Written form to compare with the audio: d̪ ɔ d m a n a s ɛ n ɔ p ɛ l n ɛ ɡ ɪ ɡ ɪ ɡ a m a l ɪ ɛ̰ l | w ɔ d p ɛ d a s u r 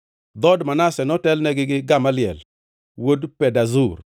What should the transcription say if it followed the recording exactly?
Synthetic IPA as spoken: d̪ ɔ d m a n a s ɛ n ɔ t ɛ l n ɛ ɡ ɪ ɡ ɪ ɡ a m a l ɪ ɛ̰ l | w o d p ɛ d a z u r